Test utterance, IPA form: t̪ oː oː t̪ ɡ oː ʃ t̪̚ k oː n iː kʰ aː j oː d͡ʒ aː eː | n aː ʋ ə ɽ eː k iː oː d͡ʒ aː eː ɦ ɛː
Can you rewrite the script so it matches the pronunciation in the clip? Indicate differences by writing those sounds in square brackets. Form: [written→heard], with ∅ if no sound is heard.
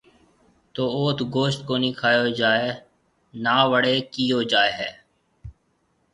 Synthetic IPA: t̪ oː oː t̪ ɡ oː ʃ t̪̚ k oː n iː kʰ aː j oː d͡ʒ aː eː | n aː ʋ ə ɽ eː k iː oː d͡ʒ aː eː ɦ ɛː